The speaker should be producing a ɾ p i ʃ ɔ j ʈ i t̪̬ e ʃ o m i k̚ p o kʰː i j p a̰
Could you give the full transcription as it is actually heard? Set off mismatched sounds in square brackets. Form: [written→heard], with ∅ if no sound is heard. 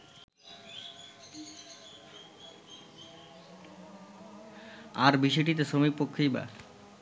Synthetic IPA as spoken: a ɾ [p→b] i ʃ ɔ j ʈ i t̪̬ e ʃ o m i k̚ p o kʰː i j [p→b] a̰